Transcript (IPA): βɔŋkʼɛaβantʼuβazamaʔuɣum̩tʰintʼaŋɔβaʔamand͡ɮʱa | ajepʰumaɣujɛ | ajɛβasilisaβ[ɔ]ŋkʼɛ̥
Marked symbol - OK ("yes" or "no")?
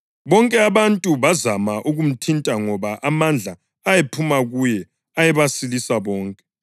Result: no